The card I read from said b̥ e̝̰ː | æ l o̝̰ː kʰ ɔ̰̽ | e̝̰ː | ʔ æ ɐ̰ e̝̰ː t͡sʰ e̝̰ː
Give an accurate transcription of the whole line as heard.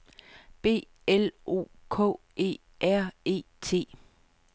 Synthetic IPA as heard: b̥ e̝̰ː | e l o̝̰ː kʰ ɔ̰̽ | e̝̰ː | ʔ æ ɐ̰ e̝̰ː t͡sʰ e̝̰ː

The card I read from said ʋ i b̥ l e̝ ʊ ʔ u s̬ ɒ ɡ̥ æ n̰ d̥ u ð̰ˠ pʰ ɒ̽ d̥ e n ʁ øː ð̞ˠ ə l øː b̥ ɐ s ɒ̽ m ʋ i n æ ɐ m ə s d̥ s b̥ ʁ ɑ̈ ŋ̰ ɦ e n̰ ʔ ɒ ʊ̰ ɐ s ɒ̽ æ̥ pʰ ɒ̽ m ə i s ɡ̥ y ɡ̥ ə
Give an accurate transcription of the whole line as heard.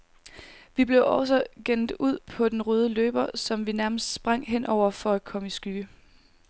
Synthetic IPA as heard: ʋ i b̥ l e̝ ʊ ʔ ɒ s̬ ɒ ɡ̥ e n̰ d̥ u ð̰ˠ pʰ ɒ̽ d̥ e n ʁ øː ð̞ˠ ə l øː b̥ ɐ s ɒ̽ m ʋ i n æ ɐ m ə s d̥ s b̥ ʁ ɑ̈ ŋ̰ ɦ e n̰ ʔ ɒ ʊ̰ ɐ f ɒ̽ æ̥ kʰ ɒ̽ m ə i s ɡ̥ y ɡ̥ ə

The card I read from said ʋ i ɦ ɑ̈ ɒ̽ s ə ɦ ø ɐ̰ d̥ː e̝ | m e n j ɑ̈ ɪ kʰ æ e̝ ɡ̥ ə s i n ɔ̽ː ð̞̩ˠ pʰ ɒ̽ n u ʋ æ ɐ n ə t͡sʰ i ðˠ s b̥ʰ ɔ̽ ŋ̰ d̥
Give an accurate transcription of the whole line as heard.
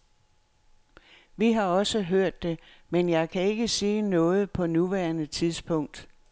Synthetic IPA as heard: ʋ i ɦ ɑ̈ ɒ̽ s ə ɦ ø ɐ̰ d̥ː e̝ | m e n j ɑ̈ ɪ kʰ æ e̝ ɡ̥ ə s iː n ɔ̽ː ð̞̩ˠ pʰ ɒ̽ n u ʋ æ ɐ n ə t͡sʰ i ðˠ s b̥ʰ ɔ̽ ŋ̰ d̥

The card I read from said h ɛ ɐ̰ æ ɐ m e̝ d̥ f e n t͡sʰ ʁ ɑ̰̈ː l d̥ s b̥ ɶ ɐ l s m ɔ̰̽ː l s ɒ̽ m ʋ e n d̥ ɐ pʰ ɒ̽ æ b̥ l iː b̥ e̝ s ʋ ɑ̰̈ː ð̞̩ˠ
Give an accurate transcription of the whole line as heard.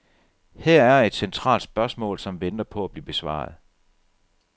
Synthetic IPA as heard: h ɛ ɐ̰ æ ɐ e̝ d̥ s e n t͡sʰ ʁ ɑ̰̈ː l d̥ s b̥ ɶ ɐ s m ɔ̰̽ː l s ɒ̽ m ʋ e n d̥ ɐ pʰ ɒ̽ æ b̥ l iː b̥ e̝ s ʋ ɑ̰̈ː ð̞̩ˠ

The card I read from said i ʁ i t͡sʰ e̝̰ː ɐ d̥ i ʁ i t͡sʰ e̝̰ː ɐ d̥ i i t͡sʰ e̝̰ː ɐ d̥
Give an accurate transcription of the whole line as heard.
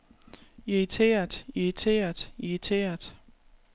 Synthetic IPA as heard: i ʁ i t͡sʰ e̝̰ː ɐ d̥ i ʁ i t͡sʰ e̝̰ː ɐ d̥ i i t͡sʰ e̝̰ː ɐ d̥

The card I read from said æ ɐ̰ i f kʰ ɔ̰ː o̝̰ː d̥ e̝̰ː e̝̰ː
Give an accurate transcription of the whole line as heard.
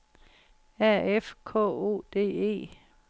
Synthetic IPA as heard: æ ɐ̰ e f kʰ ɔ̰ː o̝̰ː d̥ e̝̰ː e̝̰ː

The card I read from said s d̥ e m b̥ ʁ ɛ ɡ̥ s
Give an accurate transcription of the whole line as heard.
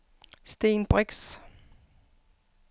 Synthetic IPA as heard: s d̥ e n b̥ ʁ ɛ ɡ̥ s

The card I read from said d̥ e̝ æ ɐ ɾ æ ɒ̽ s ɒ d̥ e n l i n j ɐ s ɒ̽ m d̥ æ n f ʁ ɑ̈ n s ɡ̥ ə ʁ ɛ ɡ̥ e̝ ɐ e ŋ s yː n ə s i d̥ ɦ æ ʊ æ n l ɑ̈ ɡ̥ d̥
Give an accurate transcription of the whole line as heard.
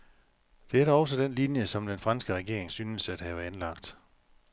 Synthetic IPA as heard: d̥ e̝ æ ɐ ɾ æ ɒ̽ s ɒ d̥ e n l i n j ə s ɒ̽ m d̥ e n f ʁ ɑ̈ n s ɡ̥ ə ʁ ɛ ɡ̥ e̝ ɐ e ŋ s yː n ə s æ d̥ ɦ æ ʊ æ n l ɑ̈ ɡ̥ d̥

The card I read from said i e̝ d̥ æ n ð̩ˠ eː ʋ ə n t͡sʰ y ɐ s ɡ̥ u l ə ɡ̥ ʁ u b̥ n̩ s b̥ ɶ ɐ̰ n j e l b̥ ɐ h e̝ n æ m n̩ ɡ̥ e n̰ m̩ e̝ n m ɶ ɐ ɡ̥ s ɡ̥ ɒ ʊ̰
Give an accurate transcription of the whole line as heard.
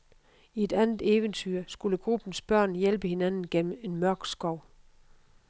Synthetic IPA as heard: i e̝ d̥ æ n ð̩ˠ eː ʋ ə n t͡sʰ y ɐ s ɡ̥ u l ə ɡ̥ ʁ u b̥ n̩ s b̥ ɶ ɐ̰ n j e l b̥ ə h e̝ n æ n n̩ ɡ̥ e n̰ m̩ e̝ n m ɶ ɐ ɡ̥ s ɡ̥ ɒ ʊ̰

